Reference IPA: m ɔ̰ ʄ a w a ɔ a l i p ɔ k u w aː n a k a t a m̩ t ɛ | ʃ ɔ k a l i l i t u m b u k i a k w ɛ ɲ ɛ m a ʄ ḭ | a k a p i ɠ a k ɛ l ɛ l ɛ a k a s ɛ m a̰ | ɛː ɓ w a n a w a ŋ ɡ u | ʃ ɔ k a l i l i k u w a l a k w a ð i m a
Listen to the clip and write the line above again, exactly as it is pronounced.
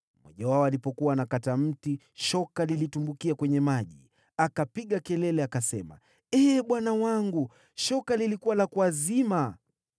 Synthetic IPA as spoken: m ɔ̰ ʄ a w a ɔ a l i p ɔ k u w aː n a k a t a m̩ t i | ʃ ɔ k a l i l i t u m b u k i a k w ɛ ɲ ɛ m a ʄ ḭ | a k a p i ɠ a k ɛ l ɛ l ɛ a k a s ɛ m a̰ | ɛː ɓ w a n a w a ŋ ɡ u | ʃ ɔ k a l i l i k u w a l a k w a z i m a